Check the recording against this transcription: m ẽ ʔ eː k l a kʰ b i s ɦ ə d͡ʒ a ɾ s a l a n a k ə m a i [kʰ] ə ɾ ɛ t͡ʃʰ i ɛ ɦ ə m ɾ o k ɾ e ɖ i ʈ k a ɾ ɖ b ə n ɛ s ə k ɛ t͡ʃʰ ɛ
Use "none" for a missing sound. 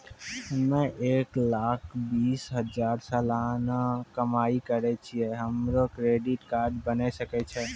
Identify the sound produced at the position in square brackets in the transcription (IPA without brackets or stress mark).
k